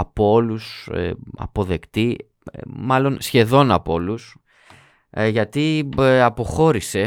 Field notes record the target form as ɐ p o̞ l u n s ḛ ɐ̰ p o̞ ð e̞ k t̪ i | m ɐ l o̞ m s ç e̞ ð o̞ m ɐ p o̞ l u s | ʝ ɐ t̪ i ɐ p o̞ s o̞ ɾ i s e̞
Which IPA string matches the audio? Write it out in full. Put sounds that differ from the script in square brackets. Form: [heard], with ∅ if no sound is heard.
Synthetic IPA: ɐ p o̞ l u [∅] s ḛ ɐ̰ p o̞ ð e̞ k t̪ i | m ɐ l o̞ [n] s ç e̞ ð o̞ [n] ɐ p o̞ l u s | ʝ ɐ t̪ i ɐ p o̞ [x] o̞ ɾ i s e̞